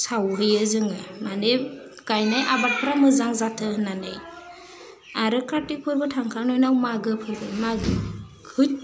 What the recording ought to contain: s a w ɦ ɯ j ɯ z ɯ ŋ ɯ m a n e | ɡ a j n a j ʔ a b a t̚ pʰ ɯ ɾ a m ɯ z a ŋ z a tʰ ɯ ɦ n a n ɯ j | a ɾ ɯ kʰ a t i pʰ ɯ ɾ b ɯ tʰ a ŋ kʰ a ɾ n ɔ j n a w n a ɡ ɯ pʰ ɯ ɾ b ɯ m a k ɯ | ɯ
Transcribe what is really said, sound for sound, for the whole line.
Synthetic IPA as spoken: s a w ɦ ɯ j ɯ z ɯ ŋ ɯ m a n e | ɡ a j n a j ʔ a b a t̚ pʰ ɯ ɾ a m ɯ z a ŋ z a tʰ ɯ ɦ n a n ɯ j | a ɾ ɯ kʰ a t i pʰ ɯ ɾ b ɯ tʰ a ŋ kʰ a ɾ n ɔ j n a w m a ɡ ɯ pʰ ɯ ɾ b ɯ m a ɡ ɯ | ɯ